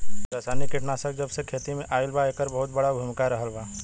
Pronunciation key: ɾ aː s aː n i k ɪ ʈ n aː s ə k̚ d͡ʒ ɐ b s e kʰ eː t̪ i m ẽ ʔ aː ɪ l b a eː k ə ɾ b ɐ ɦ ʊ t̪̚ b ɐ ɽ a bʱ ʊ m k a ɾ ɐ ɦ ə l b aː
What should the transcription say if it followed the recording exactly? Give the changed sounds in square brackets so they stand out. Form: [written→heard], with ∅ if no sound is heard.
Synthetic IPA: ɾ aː s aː n i k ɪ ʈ n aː s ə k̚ d͡ʒ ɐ b s e kʰ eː t̪ i m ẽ ʔ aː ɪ l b a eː k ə ɾ b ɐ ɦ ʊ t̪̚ b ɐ ɽ a bʱ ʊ m k a ɾ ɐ ɦ ə l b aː